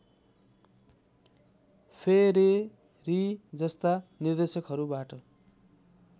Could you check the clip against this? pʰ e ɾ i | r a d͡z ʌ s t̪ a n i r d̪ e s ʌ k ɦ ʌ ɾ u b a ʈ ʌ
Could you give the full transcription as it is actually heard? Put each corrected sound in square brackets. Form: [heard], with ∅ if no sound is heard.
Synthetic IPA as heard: pʰ e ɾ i | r [i] d͡z ʌ s t̪ a n i r d̪ e s ʌ k ɦ ʌ ɾ u b a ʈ ʌ

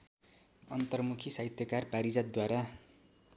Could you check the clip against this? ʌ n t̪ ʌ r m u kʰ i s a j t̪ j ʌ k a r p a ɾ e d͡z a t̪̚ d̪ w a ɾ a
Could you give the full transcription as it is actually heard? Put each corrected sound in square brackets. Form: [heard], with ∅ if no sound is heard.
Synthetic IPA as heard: ʌ n t̪ ʌ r m u kʰ i s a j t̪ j ʌ k a r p a ɾ [i] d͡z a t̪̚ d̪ w a ɾ a

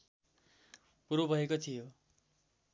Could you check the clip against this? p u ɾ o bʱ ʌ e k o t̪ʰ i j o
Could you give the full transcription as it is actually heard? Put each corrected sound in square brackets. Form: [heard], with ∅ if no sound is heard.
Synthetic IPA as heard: p u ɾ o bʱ ʌ e k o t̪ʰ i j o

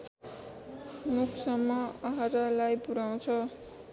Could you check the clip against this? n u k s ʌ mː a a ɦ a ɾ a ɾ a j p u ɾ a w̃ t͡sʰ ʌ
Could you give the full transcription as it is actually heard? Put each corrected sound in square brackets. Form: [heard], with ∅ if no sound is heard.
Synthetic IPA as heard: n u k s ʌ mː [ʌ] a ɦ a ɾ a [l] a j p u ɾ a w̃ t͡sʰ ʌ

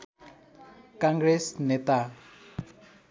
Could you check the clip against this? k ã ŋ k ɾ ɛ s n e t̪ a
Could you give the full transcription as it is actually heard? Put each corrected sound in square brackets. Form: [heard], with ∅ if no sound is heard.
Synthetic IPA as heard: k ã ŋ [ɡ] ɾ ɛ s n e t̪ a

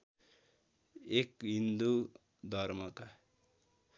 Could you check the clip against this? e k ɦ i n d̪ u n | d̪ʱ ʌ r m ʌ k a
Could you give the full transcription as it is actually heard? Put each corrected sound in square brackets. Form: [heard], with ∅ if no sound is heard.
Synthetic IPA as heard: e k ɦ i n d̪ u [∅] | d̪ʱ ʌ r m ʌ k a

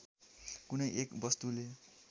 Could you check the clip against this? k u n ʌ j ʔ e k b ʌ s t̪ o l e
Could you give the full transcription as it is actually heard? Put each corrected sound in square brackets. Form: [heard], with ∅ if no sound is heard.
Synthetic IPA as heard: k u n ʌ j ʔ e k b ʌ s t̪ [u] l e

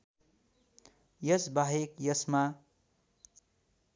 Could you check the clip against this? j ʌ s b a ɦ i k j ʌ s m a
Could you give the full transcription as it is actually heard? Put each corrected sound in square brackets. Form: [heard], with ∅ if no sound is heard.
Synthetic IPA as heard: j ʌ s b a ɦ [e] k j ʌ s m a

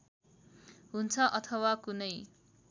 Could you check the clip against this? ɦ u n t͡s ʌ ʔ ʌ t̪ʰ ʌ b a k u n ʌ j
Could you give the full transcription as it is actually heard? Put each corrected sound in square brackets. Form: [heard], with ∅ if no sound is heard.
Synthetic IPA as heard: ɦ u n [t͡sʰ] ʌ ʔ ʌ t̪ʰ ʌ [w] a k u n ʌ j

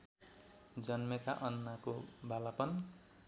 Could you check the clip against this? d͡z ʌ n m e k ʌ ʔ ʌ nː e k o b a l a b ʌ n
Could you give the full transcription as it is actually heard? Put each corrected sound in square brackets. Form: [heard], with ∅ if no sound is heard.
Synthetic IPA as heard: d͡z ʌ n m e k [a] ʔ ʌ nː [a] k o b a l a [p] ʌ n

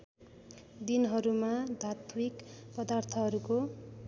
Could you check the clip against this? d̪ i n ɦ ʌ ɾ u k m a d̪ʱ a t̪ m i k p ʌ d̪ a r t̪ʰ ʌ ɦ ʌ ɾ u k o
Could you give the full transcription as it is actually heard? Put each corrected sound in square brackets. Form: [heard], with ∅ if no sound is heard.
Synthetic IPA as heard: d̪ i n ɦ ʌ ɾ u [∅] m a d̪ʱ a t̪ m i k p ʌ d̪ a r t̪ʰ ʌ ɦ ʌ ɾ u k o

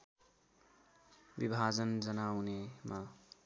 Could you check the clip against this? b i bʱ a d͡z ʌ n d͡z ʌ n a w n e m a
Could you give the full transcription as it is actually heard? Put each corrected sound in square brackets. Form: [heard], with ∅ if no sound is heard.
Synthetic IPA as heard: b i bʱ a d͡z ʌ n d͡z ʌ n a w n e m a

